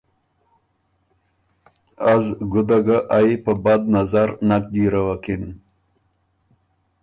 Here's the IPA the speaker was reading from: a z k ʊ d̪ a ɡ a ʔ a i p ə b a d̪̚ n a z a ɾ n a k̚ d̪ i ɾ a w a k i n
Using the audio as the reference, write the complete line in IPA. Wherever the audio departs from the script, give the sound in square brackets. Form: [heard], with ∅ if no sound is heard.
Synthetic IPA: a z [ɡ] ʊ d̪ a ɡ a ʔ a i p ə b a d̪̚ n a z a ɾ n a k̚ d̪ i ɾ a w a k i n

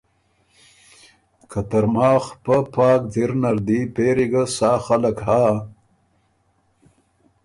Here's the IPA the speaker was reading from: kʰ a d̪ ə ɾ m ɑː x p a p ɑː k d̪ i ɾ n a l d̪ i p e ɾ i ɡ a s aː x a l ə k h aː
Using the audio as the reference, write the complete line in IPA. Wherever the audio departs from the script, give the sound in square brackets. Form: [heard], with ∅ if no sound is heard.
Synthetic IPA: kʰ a [t̪] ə ɾ m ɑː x p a p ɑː k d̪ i ɾ n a [ɾ] d̪ i p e ɾ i ɡ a s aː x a l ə k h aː

